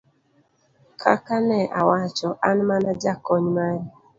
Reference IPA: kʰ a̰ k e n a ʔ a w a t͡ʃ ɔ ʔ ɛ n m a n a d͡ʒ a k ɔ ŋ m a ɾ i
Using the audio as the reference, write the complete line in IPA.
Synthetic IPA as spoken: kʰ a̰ k a n ɛ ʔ a w a t͡ʃ ɔ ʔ a n m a n a d͡ʒ a k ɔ ɲ m a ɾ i